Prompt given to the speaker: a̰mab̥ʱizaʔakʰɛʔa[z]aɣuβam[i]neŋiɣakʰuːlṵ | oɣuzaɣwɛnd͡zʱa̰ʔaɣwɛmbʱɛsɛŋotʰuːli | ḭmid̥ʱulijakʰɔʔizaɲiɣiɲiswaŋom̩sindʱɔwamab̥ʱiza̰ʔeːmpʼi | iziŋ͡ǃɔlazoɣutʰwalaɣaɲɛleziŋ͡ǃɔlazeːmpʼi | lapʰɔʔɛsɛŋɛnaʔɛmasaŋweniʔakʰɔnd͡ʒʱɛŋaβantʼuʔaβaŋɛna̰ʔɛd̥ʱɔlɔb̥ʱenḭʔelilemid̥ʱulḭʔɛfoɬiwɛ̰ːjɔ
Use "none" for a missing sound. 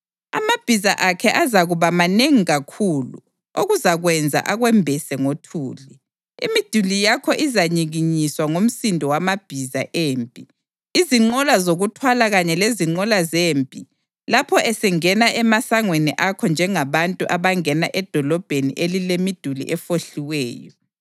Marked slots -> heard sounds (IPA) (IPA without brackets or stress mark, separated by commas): z, a